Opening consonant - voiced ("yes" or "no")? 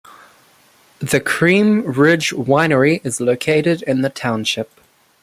yes